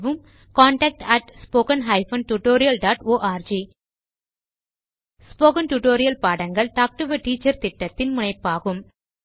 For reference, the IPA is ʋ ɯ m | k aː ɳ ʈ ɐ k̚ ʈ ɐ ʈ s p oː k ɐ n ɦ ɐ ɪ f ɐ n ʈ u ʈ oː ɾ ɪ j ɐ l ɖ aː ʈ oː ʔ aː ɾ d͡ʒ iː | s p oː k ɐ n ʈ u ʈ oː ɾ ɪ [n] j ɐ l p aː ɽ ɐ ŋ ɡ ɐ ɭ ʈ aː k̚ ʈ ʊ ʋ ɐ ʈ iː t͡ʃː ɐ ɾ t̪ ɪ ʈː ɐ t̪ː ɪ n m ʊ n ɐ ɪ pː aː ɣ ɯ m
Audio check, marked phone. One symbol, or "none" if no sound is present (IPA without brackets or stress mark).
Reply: none